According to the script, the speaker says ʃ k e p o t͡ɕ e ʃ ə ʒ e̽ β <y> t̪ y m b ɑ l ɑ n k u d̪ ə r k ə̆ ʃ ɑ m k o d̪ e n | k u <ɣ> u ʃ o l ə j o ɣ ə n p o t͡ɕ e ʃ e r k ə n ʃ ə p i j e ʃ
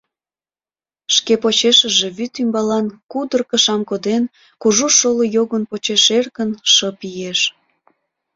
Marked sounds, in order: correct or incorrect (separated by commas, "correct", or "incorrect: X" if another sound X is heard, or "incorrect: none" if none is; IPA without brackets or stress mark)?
correct, incorrect: ʒ